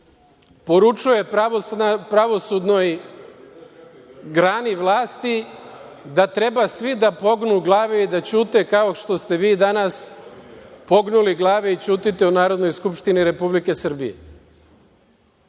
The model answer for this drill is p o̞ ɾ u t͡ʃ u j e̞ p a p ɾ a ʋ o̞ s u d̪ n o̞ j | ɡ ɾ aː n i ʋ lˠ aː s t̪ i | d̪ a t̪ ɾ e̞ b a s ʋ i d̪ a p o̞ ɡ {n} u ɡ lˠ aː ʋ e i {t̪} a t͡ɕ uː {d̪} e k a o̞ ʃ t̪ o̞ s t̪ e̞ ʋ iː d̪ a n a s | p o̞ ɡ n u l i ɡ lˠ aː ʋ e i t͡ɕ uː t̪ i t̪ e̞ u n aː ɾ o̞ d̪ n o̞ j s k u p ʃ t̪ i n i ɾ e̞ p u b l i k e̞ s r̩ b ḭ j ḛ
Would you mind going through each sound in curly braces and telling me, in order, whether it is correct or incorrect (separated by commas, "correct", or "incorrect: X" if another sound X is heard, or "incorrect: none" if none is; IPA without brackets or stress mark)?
correct, incorrect: d̪, incorrect: t̪